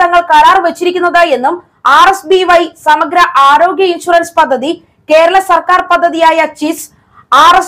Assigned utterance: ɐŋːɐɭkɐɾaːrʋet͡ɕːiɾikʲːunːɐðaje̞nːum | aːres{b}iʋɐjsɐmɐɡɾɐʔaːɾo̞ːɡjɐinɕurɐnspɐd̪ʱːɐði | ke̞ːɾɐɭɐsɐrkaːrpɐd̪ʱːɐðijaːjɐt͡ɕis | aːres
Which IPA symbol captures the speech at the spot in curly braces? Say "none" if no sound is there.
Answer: b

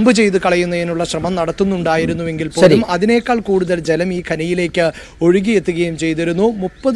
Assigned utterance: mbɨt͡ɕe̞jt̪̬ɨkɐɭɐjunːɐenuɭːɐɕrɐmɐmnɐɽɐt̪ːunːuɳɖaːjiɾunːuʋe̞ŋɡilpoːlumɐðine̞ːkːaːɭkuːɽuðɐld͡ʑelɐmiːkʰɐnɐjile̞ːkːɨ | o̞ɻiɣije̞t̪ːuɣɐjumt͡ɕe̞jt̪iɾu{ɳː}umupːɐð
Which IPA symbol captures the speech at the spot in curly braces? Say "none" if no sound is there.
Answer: nː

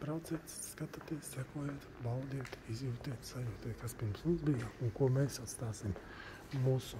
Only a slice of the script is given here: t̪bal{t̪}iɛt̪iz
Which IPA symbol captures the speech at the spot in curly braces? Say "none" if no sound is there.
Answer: d̪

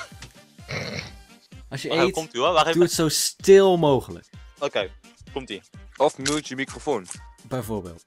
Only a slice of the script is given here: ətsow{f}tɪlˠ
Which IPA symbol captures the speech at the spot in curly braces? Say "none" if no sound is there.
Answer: s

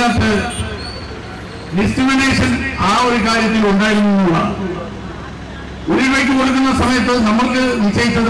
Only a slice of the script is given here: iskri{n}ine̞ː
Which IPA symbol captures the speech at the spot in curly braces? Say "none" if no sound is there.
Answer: m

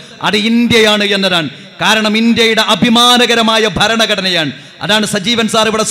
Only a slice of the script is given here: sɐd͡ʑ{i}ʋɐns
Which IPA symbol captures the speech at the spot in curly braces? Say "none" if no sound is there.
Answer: iː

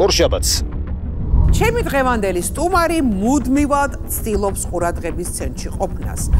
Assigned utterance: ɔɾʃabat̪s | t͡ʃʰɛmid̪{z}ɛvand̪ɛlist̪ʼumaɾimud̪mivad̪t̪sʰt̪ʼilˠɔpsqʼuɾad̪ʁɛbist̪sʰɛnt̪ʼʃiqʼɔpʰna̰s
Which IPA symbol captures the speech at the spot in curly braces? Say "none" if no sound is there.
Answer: ʁ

